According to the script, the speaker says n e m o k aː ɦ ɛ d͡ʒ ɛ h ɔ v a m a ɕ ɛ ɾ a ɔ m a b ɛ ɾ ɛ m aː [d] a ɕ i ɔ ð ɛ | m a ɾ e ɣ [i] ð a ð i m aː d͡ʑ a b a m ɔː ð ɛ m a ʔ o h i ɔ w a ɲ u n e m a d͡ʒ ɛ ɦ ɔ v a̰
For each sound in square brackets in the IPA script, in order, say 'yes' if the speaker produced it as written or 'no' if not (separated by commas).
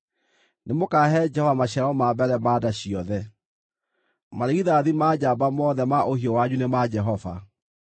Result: yes, yes